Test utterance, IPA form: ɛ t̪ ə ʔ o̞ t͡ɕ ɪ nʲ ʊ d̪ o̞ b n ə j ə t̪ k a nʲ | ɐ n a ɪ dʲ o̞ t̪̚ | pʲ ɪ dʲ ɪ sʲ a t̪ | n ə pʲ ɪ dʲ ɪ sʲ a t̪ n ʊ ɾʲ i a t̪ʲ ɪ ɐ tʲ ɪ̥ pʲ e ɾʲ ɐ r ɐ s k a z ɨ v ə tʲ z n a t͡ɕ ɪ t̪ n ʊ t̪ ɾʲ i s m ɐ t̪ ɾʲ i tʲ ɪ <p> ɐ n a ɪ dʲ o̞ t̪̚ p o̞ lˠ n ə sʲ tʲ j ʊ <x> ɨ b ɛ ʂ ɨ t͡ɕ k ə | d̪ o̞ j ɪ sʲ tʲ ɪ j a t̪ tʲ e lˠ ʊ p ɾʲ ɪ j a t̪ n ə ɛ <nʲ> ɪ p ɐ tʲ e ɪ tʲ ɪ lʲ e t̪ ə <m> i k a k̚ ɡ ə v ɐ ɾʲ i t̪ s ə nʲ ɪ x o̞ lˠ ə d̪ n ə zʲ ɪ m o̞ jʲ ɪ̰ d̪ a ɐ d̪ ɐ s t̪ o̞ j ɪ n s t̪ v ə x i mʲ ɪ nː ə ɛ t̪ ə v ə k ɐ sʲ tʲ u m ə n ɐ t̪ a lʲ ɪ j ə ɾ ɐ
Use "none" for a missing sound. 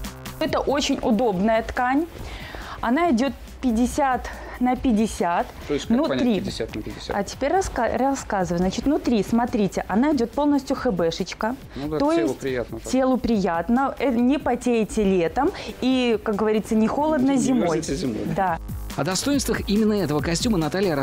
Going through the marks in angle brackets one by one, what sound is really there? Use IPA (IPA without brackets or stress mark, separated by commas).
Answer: ʔ, x, nʲ, m